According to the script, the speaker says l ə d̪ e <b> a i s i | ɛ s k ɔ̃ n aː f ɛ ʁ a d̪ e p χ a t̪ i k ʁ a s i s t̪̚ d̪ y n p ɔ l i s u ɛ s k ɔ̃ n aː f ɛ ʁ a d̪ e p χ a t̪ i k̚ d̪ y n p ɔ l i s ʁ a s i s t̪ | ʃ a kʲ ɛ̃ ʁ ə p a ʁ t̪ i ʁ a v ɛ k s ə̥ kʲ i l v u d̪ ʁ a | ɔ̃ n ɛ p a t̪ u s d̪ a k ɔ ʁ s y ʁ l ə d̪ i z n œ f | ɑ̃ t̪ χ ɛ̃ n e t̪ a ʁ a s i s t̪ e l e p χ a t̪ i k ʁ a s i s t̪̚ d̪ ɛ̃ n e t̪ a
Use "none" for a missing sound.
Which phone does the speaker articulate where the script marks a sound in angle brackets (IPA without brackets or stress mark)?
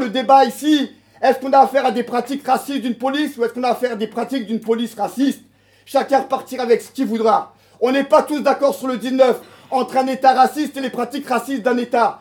b